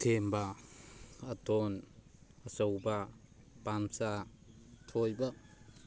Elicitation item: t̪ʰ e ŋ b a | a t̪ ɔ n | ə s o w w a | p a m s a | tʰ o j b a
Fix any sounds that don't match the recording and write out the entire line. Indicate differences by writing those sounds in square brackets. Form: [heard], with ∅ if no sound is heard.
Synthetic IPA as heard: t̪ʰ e [m] b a | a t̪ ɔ n | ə s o w [b] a | p a m s a | tʰ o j b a